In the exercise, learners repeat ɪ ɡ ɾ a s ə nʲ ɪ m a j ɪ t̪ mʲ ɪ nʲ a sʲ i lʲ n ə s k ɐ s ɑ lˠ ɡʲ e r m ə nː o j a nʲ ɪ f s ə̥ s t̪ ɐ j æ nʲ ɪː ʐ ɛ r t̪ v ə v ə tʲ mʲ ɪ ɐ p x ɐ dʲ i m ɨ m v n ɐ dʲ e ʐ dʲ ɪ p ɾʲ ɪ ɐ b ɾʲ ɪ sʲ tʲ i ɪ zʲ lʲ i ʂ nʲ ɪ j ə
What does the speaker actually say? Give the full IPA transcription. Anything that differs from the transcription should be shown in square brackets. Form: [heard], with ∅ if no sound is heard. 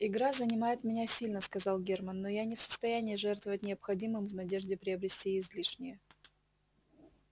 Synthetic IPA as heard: ɪ ɡ ɾ a [z] ə nʲ ɪ m a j ɪ t̪ mʲ ɪ nʲ a sʲ i lʲ n ə s k ɐ [z] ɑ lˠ ɡʲ e r m ə nː o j a nʲ ɪ f s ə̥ s t̪ ɐ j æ nʲ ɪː ʐ ɛ r t̪ v ə v ə tʲ [nʲ] ɪ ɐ p x ɐ dʲ i m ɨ m v n ɐ dʲ e ʐ dʲ ɪ p ɾʲ ɪ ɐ b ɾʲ ɪ sʲ tʲ i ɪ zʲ lʲ i ʂ nʲ ɪ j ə